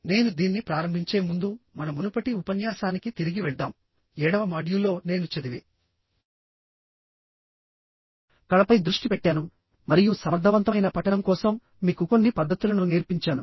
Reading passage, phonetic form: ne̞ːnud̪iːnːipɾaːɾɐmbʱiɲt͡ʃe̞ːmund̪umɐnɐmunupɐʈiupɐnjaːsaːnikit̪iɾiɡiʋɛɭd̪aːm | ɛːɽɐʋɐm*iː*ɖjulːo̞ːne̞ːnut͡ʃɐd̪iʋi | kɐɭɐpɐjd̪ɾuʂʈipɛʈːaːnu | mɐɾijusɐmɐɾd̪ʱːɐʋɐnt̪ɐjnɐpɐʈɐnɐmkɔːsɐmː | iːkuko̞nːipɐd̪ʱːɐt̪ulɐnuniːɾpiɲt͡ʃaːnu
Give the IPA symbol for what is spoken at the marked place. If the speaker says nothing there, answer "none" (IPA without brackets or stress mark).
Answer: aː